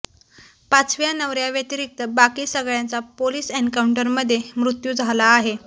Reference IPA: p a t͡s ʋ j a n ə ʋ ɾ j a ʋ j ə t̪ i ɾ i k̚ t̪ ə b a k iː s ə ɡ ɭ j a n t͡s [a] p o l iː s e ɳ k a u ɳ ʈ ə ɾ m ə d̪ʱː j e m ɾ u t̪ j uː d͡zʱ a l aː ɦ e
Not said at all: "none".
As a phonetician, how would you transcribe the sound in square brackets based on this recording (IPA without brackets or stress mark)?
a